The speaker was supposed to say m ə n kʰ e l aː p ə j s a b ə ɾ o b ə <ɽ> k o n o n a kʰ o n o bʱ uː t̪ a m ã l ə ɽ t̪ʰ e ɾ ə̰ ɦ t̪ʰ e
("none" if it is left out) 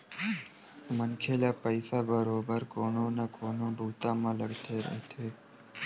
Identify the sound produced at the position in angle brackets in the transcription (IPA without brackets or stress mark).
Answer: ɾ